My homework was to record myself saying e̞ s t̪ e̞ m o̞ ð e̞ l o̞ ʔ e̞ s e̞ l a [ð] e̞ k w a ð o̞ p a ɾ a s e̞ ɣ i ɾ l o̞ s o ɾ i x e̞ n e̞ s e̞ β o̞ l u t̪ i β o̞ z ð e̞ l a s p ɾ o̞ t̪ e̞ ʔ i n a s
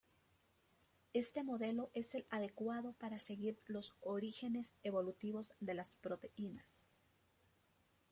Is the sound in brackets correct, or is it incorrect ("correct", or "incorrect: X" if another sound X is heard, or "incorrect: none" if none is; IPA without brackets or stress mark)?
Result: correct